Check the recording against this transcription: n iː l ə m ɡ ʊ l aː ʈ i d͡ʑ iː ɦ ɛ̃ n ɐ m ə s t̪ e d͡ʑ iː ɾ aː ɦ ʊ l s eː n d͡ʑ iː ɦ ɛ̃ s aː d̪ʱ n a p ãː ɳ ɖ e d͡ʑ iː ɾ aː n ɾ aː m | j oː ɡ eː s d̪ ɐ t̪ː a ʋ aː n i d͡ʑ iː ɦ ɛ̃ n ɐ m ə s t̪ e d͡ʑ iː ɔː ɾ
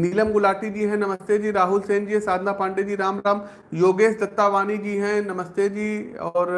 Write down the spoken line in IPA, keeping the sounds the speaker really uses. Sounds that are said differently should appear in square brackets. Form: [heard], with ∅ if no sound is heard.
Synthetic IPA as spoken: n iː l ə m ɡ ʊ l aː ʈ i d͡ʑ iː ɦ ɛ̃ n ɐ m ə s t̪ e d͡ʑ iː ɾ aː ɦ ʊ l s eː n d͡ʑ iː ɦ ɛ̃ s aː d̪ʱ n a p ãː ɳ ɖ e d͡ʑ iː ɾ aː [m] ɾ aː m | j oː ɡ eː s d̪ ɐ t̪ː a ʋ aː n i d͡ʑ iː ɦ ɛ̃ n ɐ m ə s t̪ e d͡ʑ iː ɔː ɾ